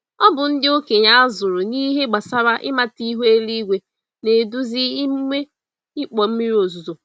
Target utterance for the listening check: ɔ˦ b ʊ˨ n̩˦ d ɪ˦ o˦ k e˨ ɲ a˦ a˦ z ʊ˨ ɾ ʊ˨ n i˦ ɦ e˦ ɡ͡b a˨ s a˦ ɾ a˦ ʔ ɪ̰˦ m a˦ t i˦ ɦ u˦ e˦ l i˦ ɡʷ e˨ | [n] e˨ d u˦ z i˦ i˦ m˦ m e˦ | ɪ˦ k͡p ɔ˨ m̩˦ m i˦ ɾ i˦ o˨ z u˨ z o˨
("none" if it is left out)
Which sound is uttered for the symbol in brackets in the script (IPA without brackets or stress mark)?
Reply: n